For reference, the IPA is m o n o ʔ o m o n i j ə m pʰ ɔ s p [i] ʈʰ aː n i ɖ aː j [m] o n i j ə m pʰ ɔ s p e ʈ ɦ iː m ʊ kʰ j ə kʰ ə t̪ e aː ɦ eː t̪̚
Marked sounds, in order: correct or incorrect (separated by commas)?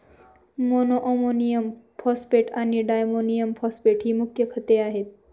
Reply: incorrect, correct